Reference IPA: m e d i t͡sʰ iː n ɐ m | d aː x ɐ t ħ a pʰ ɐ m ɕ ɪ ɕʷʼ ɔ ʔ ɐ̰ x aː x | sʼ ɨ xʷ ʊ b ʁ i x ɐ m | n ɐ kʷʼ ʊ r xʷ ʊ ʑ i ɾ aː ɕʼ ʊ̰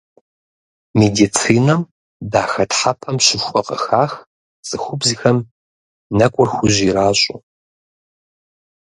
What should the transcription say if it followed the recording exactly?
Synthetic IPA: m e d i t͡sʰ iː n ɐ m | d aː x ɐ t ħ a pʰ ɐ m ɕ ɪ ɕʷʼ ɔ q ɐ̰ x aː x | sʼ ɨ xʷ ʊ b z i x ɐ m | n ɐ kʷʼ ʊ r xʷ ʊ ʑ i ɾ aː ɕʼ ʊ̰